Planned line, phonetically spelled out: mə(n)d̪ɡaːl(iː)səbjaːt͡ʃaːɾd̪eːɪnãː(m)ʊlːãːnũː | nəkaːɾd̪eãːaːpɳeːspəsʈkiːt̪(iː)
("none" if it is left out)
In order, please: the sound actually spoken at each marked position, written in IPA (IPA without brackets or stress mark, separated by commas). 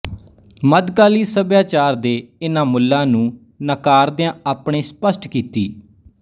none, iː, m, iː